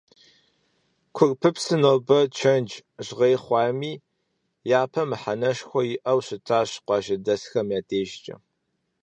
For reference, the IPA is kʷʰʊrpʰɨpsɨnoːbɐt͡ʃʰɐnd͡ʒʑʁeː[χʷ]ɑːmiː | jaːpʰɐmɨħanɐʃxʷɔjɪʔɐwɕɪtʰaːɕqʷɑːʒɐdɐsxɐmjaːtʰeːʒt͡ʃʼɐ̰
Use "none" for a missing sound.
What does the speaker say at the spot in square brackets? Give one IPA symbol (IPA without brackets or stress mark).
χʷ